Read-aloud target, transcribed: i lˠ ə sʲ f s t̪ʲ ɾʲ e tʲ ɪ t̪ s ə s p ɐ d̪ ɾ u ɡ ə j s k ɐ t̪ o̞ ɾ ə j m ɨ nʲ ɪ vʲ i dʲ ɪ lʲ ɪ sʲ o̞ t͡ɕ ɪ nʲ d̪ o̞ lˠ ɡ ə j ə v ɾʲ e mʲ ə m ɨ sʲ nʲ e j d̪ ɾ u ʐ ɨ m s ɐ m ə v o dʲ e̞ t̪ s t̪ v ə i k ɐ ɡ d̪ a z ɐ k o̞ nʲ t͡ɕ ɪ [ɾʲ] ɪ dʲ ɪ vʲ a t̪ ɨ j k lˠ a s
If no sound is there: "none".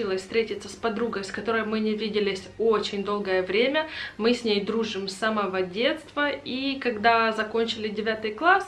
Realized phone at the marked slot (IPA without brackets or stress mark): lʲ